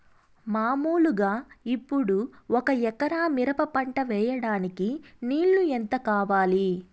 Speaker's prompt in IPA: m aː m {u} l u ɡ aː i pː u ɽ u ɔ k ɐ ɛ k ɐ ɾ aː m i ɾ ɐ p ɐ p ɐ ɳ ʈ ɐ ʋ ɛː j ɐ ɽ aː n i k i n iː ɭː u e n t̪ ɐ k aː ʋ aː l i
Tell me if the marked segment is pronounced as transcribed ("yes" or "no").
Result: no